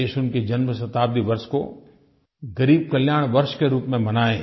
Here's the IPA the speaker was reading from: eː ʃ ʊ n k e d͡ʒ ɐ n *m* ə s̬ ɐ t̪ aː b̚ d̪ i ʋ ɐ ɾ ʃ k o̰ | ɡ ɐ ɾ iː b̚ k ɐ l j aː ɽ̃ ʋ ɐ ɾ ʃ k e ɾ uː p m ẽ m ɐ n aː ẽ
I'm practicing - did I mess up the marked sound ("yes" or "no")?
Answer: no